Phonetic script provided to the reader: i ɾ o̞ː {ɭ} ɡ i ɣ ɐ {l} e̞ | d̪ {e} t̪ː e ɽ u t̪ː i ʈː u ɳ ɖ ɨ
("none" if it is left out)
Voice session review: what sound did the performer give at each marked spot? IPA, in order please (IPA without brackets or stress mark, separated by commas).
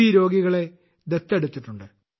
none, ɭ, e